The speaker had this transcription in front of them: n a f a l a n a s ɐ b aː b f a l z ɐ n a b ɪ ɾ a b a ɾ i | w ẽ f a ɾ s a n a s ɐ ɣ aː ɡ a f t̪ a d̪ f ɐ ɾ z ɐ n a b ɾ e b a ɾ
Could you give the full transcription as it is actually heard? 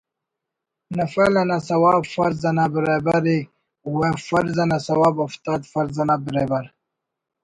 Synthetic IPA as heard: n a f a l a n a s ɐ w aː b f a ɾ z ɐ n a b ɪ ɾ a b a ɾ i | w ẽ f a ɾ z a n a s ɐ w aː b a f t̪ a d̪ f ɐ ɾ z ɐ n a b ɾ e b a ɾ